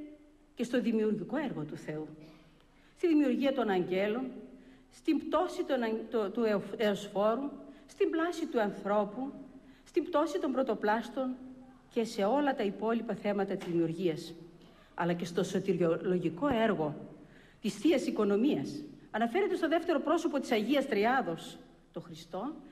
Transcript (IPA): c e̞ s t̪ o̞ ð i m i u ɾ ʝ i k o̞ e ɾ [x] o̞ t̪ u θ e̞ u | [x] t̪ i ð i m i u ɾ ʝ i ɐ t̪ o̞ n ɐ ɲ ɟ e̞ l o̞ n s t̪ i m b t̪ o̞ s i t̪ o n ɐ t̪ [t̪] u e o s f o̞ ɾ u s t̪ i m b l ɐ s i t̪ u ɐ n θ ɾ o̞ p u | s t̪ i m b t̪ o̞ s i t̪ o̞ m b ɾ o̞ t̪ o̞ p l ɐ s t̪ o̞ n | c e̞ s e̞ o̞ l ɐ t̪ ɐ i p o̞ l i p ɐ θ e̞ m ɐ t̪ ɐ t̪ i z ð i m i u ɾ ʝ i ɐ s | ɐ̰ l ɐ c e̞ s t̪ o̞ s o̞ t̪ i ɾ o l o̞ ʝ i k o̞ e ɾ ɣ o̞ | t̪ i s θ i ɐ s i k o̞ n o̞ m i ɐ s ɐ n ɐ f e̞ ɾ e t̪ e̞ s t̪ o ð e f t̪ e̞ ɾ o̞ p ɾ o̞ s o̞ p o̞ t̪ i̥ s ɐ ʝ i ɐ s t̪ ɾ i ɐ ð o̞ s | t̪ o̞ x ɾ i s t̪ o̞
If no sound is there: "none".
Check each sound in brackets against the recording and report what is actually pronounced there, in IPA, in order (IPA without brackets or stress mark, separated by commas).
ɣ, s, t̪